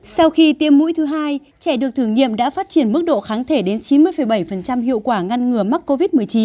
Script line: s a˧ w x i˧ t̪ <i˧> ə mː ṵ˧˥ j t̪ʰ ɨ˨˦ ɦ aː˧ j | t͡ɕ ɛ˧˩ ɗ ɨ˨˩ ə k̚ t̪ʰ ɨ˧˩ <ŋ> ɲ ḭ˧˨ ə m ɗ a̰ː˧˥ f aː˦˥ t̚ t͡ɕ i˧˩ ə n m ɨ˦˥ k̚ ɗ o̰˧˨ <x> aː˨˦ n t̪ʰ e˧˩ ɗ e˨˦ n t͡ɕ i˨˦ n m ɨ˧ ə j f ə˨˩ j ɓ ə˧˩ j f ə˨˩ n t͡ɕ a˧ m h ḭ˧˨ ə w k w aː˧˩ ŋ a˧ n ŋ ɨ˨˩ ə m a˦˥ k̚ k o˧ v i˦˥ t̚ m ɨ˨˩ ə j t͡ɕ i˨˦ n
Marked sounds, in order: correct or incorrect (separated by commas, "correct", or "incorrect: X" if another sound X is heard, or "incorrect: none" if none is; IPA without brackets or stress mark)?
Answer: correct, correct, correct